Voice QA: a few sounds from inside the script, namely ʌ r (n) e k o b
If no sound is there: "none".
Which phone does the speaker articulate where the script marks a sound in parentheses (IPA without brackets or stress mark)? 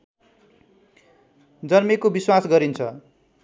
m